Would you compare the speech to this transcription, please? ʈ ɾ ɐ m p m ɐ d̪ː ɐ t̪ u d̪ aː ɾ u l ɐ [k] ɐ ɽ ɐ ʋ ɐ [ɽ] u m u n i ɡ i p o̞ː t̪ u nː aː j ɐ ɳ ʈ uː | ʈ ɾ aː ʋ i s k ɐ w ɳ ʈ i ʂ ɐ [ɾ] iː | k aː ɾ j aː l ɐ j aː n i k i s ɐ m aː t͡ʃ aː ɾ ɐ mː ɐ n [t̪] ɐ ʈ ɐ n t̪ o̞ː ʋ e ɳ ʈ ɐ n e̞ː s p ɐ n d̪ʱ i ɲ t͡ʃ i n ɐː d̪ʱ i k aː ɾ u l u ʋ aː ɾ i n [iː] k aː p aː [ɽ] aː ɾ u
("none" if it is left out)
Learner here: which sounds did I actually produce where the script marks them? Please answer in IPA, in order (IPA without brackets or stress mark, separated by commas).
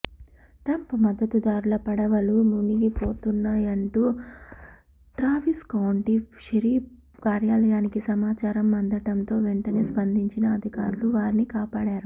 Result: p, l, ɾ, d̪, i, ɽ